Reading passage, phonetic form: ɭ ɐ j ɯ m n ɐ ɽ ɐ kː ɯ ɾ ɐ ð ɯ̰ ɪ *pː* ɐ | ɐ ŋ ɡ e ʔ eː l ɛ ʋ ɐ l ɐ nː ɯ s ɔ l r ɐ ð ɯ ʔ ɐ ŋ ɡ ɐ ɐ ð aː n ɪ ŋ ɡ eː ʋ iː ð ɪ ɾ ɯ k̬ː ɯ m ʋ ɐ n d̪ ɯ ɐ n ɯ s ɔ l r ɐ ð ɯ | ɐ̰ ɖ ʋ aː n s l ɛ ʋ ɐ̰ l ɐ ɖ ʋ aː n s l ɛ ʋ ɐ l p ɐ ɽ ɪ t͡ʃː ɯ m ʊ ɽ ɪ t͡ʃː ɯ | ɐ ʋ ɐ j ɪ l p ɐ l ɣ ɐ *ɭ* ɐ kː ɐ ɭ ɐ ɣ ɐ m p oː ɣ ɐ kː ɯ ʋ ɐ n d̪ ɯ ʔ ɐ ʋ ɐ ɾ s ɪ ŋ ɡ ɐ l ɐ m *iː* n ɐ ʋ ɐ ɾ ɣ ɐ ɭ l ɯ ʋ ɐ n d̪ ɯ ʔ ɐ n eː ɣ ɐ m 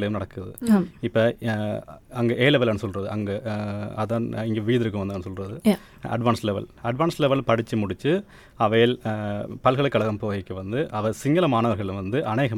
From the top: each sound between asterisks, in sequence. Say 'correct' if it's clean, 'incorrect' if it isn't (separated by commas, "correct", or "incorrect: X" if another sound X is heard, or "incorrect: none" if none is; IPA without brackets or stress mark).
correct, correct, incorrect: aː